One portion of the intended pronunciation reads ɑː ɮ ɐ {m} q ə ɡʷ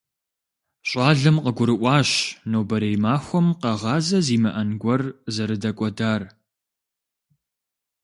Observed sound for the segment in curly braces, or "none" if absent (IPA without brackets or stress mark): m